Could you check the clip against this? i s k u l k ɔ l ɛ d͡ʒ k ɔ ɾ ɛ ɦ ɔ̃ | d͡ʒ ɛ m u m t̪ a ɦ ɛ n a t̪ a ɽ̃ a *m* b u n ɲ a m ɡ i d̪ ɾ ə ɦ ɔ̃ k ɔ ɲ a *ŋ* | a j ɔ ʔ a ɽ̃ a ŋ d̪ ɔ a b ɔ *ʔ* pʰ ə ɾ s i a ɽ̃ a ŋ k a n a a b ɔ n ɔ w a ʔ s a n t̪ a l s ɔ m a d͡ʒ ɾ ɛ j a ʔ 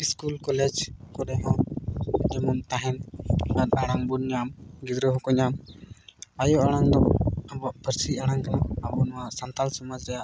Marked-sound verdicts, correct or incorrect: incorrect, incorrect, correct

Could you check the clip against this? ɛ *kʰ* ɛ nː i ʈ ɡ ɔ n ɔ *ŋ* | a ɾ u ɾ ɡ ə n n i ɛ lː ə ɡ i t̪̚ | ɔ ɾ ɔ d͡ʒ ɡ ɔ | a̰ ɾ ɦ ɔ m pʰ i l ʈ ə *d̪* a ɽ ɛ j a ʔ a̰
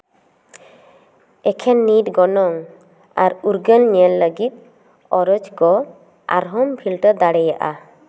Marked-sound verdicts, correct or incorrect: correct, correct, correct

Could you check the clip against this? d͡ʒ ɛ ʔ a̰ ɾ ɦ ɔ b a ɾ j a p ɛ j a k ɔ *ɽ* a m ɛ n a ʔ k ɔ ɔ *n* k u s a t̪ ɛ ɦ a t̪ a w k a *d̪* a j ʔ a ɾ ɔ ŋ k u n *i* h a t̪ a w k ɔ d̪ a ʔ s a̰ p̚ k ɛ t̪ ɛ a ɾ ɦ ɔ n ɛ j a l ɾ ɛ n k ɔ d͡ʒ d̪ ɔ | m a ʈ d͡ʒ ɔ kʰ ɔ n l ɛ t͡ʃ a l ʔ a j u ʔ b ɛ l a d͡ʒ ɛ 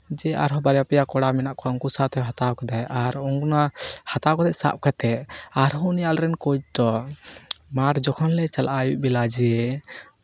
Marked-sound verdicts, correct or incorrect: correct, incorrect, correct, incorrect

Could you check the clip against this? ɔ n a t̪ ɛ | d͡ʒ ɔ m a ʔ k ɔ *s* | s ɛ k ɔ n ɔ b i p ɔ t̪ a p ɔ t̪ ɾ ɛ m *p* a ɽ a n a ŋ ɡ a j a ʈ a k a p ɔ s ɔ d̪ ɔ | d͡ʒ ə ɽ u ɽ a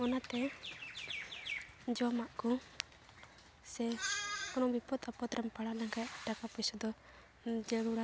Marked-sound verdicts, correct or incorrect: incorrect, correct

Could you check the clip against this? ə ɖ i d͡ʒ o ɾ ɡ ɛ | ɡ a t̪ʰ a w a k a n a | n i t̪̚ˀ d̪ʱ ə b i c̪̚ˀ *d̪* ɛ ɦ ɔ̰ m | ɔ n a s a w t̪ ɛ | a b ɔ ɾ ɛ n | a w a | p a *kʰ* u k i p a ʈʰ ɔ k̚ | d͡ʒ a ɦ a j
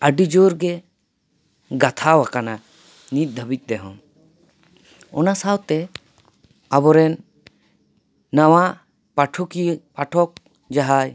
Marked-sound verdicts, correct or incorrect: correct, incorrect

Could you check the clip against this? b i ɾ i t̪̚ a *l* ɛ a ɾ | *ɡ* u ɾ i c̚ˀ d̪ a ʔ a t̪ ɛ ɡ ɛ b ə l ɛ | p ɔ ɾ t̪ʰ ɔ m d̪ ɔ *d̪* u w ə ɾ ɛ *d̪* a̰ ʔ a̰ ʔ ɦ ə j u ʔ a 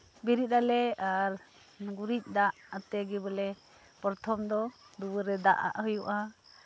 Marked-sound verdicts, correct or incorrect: correct, correct, correct, correct

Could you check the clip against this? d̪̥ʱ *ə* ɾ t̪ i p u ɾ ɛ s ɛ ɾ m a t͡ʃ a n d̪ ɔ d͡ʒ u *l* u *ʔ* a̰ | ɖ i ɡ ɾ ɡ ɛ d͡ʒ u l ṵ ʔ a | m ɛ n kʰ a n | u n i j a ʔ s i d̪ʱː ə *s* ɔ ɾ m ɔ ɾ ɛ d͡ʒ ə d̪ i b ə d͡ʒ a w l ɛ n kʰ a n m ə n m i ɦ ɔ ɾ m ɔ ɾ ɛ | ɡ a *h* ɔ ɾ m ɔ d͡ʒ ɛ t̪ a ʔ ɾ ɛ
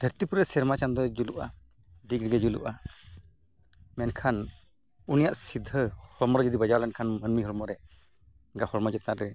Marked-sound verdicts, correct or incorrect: correct, correct, correct, incorrect, correct

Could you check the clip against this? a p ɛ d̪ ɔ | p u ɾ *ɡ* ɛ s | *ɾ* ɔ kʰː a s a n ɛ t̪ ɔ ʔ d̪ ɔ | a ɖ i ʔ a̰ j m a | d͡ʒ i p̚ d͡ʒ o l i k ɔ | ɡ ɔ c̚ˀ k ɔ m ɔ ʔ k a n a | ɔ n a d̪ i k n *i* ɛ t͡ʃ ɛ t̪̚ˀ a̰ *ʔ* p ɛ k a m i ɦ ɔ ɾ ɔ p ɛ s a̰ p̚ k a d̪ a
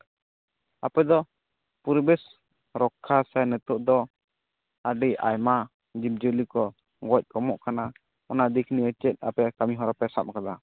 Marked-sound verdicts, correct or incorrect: incorrect, correct, correct, incorrect

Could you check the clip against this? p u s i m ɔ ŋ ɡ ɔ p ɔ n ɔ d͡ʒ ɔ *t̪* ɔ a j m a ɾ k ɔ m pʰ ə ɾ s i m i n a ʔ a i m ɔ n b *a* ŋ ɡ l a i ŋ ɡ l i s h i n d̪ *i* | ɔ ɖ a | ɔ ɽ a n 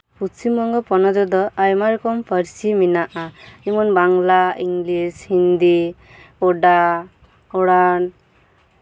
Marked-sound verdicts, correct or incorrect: incorrect, correct, correct

